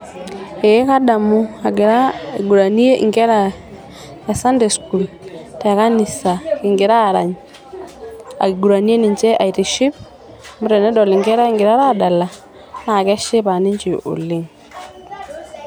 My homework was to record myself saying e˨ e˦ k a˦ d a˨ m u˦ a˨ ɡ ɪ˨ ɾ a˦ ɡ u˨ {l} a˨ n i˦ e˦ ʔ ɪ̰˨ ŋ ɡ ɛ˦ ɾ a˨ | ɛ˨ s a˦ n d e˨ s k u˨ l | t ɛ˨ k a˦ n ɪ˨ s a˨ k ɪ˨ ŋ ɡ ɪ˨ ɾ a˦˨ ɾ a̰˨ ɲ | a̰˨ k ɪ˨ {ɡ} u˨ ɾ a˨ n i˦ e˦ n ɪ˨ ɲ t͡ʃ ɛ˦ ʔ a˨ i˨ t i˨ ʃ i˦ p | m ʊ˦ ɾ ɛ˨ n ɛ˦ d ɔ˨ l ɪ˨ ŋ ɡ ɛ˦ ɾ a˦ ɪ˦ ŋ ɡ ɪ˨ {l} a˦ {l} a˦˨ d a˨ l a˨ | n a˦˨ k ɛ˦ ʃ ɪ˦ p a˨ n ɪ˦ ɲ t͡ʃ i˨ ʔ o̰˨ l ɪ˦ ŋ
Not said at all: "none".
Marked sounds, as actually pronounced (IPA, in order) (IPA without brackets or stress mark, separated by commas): ɾ, ɡ, ɾ, ɾ